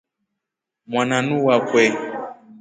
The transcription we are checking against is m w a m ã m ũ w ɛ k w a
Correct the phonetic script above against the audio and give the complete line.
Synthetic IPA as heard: m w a n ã n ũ w a k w ɛ